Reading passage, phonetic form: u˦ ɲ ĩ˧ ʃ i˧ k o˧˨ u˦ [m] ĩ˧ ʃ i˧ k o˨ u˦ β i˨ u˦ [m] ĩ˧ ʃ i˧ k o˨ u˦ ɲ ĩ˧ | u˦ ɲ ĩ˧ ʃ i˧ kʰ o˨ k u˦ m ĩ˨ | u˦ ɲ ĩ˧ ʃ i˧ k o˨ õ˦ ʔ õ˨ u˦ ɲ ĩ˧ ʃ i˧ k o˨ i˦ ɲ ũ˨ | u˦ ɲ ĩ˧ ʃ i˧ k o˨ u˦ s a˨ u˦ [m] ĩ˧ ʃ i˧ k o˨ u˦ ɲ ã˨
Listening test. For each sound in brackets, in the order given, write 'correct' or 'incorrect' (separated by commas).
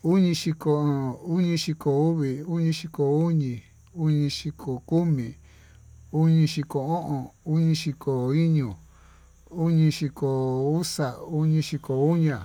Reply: incorrect, incorrect, incorrect